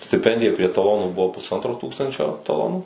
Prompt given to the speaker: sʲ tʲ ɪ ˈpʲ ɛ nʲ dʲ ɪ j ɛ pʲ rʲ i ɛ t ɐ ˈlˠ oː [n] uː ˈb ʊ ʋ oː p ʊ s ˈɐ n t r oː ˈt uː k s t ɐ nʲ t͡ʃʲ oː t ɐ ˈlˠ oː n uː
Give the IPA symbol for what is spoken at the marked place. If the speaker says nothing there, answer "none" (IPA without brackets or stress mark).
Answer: n